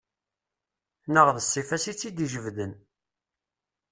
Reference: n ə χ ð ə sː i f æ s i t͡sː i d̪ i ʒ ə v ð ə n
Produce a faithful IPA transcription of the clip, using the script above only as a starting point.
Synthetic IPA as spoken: n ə ʁ ð ə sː i f æ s i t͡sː i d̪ i ʒ ə v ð ə n